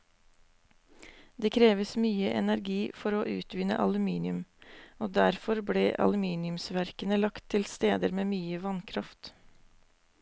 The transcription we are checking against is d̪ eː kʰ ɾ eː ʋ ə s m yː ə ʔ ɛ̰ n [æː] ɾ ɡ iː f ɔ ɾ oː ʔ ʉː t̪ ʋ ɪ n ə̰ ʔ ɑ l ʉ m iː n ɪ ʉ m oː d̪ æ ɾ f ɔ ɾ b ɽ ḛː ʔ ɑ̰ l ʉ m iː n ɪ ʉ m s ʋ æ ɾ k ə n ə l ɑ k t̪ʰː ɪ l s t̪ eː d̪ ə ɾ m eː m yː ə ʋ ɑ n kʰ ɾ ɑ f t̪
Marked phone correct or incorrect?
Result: incorrect